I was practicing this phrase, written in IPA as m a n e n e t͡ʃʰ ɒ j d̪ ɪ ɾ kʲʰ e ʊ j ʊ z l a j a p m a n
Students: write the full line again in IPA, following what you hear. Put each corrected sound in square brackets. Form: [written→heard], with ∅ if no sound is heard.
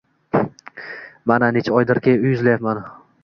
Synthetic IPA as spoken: m a n [e→a] n e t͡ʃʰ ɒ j d̪ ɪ ɾ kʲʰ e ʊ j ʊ z l a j a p m a n